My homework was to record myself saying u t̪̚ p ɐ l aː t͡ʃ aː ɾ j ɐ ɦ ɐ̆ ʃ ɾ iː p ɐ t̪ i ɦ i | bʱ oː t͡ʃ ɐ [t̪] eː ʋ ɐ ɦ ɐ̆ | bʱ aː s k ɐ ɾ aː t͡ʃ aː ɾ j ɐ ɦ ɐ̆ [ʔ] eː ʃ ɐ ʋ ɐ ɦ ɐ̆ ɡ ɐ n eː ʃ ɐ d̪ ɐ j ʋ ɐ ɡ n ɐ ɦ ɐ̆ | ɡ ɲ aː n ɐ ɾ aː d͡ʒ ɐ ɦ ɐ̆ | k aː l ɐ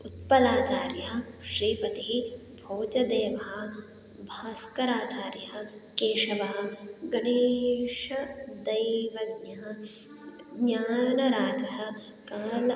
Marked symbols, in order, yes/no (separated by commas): no, no